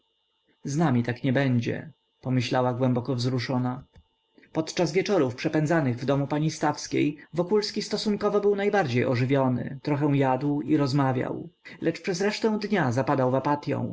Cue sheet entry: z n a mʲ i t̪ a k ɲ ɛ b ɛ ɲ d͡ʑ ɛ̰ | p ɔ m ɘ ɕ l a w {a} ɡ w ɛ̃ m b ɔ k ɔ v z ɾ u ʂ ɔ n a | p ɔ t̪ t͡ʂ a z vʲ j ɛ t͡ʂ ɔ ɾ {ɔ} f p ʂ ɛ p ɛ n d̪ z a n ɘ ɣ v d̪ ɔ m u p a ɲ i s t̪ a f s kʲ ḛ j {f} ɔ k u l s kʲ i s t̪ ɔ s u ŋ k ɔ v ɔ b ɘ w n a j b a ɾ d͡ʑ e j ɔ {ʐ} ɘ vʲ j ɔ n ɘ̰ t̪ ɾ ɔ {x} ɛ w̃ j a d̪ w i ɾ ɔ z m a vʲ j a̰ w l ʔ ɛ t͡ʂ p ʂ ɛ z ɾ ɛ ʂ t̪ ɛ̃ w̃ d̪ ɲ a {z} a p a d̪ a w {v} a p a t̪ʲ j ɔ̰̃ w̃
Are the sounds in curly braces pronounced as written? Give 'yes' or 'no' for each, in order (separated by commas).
yes, no, no, yes, yes, yes, yes